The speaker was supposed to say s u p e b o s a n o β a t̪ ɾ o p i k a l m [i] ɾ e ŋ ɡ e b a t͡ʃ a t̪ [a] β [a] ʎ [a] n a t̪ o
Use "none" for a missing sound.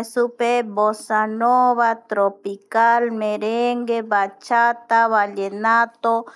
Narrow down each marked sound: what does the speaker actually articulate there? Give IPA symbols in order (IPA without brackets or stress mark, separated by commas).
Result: e, a, a, e